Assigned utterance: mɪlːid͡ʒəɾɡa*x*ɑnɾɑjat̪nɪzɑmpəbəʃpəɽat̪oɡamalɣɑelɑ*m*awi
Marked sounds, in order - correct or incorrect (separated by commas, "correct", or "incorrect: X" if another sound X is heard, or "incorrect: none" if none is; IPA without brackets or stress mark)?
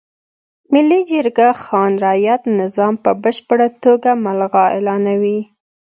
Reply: correct, incorrect: n